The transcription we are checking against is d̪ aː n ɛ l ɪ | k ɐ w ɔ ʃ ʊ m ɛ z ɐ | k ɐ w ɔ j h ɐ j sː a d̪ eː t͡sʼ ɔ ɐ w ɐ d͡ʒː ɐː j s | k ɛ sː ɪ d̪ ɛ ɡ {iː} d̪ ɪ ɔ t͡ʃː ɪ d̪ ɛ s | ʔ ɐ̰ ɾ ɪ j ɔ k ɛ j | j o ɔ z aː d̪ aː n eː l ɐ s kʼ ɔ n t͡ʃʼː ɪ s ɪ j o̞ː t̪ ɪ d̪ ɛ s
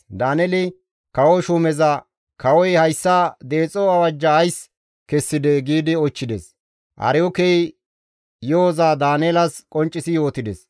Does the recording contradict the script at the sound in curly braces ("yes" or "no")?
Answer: no